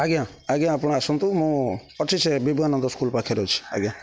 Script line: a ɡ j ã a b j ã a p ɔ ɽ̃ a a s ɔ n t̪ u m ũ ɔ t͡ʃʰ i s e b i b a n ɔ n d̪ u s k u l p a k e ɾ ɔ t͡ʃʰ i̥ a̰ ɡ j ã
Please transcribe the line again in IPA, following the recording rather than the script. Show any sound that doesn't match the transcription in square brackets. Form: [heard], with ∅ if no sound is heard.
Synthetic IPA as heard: a ɡ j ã a [ɡ] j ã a p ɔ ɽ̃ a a s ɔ n t̪ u m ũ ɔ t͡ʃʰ i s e b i b a n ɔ n d̪ [ɔ] s k u l p a [kʰ] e ɾ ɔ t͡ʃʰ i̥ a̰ ɡ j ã